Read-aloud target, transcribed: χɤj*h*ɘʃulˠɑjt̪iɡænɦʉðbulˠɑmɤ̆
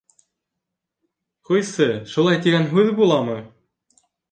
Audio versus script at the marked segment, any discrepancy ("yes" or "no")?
yes